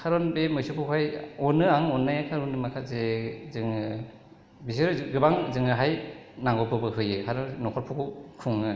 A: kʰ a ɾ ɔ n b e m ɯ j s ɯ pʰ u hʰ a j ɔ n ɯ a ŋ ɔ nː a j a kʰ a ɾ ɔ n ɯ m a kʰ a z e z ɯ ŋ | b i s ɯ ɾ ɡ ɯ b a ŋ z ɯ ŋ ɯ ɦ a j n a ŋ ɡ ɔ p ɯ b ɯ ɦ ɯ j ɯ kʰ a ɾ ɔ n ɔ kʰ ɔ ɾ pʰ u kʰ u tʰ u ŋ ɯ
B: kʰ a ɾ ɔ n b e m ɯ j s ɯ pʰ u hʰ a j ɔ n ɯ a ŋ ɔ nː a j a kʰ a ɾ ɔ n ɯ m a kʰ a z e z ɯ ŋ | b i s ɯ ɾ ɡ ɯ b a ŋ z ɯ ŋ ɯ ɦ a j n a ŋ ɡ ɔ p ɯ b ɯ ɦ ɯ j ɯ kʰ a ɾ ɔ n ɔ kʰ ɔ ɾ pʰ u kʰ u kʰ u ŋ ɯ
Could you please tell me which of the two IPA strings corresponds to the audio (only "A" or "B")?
B